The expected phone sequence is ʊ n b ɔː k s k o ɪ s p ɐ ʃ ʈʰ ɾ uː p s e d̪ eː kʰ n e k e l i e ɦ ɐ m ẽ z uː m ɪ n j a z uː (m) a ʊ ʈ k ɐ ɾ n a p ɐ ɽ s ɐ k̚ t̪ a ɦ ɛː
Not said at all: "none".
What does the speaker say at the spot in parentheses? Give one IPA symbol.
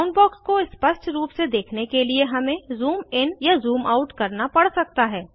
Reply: m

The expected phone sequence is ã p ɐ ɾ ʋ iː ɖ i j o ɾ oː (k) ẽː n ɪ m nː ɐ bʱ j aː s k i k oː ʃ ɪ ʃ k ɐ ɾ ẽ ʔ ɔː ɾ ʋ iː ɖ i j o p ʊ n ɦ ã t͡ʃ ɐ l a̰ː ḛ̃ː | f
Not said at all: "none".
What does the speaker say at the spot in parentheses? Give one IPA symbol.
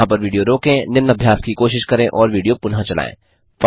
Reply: k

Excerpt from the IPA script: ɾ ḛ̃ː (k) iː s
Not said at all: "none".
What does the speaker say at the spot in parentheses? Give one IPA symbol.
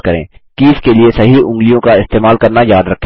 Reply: k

